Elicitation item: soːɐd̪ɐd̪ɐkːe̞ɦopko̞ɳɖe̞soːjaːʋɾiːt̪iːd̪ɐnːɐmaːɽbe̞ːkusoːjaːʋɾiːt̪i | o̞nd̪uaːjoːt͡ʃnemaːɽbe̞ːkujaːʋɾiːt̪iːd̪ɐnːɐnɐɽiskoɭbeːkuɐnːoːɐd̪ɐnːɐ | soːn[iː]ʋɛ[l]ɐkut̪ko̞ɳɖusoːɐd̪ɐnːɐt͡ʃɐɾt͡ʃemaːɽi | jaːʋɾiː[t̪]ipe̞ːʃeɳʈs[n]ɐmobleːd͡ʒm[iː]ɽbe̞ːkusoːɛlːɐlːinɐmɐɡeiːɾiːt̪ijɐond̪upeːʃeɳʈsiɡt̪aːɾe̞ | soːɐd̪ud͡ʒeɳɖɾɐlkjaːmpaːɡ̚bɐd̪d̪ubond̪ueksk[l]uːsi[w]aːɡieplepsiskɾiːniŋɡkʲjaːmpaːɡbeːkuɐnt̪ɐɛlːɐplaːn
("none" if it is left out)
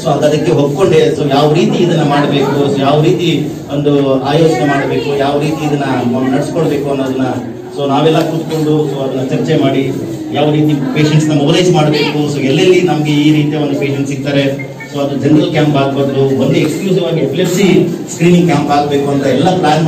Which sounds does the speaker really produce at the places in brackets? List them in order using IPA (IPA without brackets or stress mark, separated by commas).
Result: aː, lː, t̪, n, aː, l, ʋ